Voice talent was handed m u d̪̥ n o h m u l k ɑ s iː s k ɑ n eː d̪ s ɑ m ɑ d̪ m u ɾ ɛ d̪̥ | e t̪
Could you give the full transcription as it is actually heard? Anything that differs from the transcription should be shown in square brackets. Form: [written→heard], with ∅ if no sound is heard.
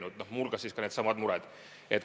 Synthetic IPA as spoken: [m→n] u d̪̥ n o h m u l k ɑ s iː s k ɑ n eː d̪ s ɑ m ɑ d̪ m u ɾ ɛ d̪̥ | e t̪